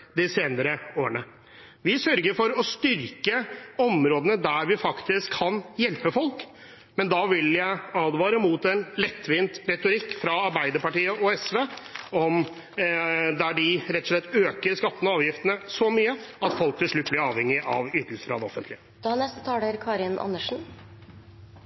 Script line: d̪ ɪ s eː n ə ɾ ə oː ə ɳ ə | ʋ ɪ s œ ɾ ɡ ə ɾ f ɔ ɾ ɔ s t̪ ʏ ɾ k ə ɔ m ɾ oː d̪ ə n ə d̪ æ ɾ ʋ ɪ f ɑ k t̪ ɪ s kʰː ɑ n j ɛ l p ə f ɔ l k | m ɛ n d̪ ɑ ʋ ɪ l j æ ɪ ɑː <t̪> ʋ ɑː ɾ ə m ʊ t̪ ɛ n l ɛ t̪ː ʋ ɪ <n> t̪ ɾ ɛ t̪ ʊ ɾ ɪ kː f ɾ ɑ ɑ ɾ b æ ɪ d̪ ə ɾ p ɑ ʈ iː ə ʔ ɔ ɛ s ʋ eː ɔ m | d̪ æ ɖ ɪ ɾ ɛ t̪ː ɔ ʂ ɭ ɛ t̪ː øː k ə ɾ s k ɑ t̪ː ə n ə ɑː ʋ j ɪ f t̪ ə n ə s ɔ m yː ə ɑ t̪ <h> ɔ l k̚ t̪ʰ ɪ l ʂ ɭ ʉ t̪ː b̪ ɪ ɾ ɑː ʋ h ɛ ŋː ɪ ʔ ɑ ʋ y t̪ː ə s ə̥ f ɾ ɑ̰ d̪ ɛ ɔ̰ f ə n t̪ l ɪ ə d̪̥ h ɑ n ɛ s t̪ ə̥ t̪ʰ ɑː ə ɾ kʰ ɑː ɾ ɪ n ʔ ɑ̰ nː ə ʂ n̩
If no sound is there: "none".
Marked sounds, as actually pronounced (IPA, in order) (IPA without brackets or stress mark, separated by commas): d̪, n, f